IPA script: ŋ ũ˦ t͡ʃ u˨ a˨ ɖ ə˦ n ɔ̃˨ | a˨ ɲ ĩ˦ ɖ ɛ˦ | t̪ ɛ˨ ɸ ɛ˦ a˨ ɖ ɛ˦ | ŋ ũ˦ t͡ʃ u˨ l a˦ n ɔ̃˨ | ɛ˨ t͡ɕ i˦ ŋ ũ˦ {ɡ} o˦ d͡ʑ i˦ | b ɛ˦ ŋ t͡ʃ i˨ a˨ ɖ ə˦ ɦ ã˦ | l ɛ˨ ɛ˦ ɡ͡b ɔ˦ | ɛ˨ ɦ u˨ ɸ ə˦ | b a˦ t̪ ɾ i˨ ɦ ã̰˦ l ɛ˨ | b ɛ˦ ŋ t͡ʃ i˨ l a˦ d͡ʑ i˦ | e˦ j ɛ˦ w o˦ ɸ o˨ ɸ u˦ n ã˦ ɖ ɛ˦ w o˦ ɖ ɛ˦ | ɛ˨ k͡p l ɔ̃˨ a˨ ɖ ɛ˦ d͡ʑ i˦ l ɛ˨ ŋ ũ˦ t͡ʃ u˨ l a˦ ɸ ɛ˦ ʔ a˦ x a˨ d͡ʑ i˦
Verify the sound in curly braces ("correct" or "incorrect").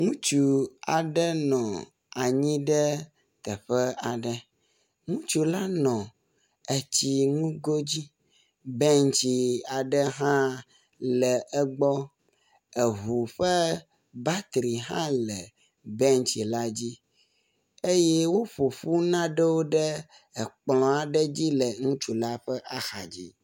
correct